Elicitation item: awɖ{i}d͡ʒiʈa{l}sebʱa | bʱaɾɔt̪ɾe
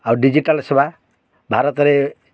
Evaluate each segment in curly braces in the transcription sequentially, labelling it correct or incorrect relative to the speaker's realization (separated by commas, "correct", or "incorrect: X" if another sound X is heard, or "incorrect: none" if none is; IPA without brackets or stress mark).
correct, correct